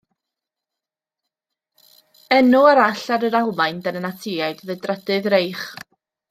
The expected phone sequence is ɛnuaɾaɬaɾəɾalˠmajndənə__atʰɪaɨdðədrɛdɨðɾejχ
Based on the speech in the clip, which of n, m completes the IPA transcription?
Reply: n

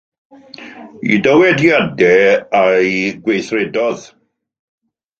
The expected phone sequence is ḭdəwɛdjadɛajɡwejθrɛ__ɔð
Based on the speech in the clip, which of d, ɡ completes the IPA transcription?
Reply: d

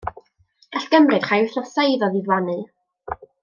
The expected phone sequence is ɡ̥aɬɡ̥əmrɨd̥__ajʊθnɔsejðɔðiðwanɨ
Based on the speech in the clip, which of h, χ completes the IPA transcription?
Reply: χ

